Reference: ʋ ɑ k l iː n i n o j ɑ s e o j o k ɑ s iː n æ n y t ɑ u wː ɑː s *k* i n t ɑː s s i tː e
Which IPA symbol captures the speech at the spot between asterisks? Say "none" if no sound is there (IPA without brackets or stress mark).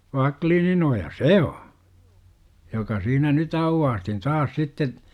t